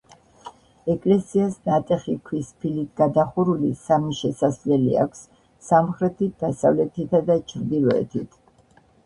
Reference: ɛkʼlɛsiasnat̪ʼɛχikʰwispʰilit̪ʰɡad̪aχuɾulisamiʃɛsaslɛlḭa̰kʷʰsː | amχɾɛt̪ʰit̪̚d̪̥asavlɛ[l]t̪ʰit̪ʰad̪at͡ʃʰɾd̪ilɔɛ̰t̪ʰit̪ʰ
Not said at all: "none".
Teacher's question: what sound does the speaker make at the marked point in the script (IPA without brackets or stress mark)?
none